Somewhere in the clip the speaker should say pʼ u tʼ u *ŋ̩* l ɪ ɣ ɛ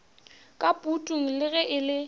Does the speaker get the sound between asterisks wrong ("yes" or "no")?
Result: no